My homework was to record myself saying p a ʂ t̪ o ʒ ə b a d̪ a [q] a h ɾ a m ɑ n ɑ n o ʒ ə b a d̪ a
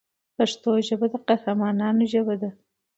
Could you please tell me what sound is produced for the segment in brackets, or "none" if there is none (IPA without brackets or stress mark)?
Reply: q